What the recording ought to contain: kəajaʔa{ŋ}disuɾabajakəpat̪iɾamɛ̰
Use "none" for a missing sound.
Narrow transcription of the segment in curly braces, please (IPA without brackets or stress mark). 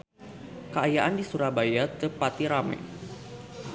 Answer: n